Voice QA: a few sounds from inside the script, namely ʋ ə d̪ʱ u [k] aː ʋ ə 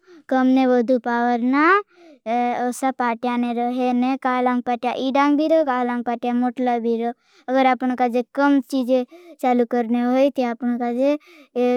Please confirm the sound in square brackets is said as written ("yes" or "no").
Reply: no